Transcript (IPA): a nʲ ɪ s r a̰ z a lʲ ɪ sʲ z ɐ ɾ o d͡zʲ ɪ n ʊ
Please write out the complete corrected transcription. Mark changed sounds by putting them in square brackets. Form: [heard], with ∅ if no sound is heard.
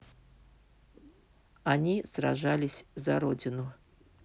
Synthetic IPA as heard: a nʲ [i] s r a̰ [ʐ] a lʲ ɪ sʲ z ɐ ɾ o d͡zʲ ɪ n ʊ